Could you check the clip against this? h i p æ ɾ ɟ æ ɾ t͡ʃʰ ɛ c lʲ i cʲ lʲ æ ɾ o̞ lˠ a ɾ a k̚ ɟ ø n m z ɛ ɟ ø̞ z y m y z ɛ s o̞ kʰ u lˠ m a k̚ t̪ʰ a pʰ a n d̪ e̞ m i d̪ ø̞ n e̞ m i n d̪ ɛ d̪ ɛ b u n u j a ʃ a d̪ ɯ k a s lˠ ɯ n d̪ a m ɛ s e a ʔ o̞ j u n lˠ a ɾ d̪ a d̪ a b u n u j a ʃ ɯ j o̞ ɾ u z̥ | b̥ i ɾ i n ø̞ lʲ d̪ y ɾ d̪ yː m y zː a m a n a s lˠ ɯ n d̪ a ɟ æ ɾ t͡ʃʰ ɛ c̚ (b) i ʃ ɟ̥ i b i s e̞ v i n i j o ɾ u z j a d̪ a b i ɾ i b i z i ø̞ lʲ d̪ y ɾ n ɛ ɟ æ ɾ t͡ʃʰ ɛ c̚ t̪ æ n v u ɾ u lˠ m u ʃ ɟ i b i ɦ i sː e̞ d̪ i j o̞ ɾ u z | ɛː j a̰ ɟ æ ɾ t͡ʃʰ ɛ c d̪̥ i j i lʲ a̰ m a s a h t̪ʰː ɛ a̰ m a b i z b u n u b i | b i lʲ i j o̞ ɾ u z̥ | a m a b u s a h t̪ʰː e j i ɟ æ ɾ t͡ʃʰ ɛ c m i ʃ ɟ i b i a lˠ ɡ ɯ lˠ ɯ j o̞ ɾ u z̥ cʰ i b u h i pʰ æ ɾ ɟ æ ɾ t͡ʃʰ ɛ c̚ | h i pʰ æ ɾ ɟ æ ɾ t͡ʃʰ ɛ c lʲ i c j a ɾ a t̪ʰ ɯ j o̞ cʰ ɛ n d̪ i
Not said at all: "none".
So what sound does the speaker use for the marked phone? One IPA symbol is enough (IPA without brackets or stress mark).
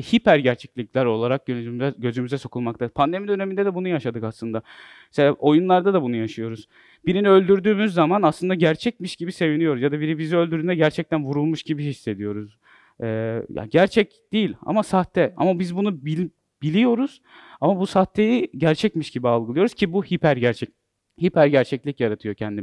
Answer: m